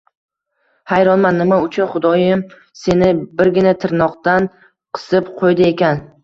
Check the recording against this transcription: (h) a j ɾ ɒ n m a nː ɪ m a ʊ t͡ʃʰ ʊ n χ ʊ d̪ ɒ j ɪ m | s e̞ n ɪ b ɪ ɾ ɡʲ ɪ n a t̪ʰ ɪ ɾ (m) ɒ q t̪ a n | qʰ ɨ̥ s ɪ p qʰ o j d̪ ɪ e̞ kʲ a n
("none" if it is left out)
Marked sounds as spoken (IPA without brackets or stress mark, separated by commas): h, n